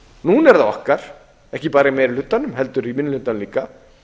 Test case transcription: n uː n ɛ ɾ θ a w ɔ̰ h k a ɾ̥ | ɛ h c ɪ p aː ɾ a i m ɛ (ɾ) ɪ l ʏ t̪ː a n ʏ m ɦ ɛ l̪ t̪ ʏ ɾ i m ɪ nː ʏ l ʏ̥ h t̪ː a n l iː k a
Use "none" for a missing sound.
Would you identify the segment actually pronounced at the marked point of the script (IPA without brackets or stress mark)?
ɾ